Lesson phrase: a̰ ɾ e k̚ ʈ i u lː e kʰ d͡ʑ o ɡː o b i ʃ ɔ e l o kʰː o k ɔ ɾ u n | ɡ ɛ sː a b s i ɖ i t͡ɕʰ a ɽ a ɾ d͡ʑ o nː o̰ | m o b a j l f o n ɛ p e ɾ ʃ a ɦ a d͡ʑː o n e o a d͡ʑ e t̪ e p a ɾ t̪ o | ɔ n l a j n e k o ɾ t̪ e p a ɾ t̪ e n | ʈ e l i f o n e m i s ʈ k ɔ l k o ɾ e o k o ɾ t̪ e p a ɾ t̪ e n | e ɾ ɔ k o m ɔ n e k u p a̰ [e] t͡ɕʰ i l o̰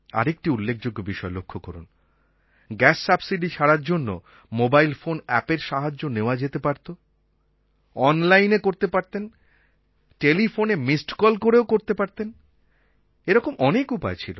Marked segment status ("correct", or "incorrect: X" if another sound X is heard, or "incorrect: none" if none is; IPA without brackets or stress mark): correct